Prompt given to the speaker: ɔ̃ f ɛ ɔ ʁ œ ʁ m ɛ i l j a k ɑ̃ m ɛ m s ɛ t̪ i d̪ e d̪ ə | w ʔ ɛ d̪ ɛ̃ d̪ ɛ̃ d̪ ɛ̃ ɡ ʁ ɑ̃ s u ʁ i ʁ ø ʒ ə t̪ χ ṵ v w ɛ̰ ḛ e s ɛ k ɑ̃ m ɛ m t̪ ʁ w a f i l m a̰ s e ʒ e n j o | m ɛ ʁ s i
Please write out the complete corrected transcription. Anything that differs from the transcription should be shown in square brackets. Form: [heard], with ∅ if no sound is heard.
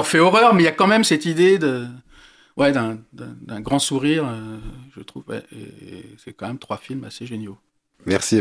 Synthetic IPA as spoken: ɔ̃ f ɛ ɔ ʁ œ ʁ m ɛ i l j a k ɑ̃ m ɛ m s ɛ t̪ i d̪ e d̪ ə | w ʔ ɛ d̪ ɛ̃ d̪ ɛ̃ d̪ ɛ̃ ɡ ʁ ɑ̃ s u ʁ i ʁ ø ʒ ə t̪ χ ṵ v w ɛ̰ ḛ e s ɛ k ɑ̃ m ɛ m t̪ [χ] w a f i l m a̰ s e ʒ e n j o | m ɛ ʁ s i